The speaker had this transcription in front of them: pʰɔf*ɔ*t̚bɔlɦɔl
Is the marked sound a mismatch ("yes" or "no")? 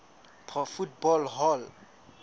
yes